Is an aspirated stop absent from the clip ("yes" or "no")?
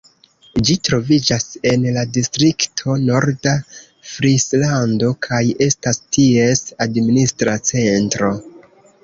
no